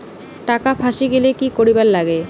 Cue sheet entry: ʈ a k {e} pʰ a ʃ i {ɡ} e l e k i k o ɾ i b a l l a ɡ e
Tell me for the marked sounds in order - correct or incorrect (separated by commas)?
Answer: incorrect, correct